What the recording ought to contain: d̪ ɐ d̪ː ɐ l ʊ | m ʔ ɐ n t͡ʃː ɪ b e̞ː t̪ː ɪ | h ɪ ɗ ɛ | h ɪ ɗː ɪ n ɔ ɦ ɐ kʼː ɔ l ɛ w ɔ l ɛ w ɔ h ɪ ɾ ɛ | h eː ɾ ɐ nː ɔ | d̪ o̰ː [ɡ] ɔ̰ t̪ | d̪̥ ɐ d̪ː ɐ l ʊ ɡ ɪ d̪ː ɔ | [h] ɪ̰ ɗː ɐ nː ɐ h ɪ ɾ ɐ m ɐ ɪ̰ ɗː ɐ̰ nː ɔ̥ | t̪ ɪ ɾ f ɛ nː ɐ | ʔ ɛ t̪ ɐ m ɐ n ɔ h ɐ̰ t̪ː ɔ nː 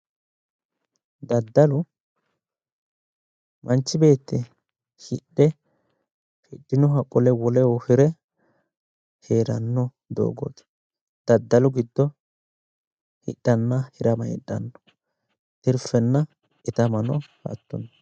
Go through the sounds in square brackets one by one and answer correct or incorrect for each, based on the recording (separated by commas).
correct, correct